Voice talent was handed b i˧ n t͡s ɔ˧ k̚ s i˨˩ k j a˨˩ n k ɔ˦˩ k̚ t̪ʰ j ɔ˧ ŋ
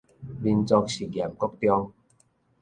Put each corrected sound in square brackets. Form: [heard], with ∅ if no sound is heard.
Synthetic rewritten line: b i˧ n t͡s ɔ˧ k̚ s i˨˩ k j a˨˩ [m] k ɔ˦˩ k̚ [t̪] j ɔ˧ ŋ